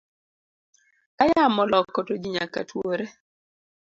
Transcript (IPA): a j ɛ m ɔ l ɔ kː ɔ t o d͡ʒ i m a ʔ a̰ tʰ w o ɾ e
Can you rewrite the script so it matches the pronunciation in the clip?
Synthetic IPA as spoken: a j a m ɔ l ɔ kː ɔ t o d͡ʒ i ɲ a k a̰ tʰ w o ɾ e